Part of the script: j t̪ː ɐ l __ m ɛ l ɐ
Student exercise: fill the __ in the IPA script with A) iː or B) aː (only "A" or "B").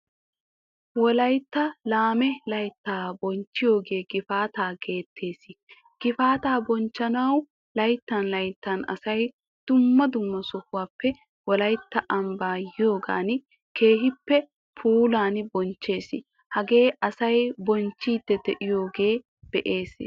B